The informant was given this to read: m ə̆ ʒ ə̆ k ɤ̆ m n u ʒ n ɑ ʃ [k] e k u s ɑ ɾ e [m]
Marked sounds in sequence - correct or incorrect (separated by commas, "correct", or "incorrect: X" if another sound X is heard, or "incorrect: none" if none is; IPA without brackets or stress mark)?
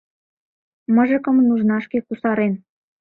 correct, incorrect: n